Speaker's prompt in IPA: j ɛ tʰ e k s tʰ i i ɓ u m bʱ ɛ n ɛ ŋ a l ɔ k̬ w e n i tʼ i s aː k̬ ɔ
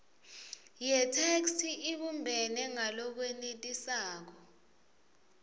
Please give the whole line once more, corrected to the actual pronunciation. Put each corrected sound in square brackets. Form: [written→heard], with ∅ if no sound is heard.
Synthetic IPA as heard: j ɛ tʰ e k s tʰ i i ɓ u m bʱ ɛ n ɛ ŋ a l ɔ k̬ w e n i tʼ i s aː k̬ ɔ